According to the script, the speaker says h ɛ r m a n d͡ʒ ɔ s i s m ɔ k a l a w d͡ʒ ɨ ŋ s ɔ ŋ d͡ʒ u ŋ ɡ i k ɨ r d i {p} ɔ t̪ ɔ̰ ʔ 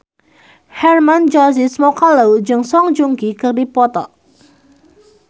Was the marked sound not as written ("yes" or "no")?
no